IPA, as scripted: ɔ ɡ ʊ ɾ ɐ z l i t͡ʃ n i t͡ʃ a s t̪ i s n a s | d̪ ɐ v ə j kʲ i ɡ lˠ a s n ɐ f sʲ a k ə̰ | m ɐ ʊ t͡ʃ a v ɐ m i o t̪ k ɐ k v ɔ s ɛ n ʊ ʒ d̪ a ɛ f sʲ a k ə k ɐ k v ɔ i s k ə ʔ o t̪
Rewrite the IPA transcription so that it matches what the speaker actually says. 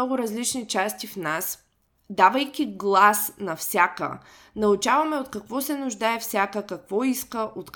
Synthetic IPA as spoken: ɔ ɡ ʊ ɾ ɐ z l i t͡ʃ n i t͡ʃ a s t̪ i f n a s | d̪ a v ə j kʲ i ɡ lˠ a s n ɐ f sʲ a k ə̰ | n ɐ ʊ t͡ʃ a v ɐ m ɛ o t̪ k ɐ k v ɔ s ɛ n ʊ ʒ d̪ a ɛ f sʲ a k ə k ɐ k v ɔ i s k ə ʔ o t̪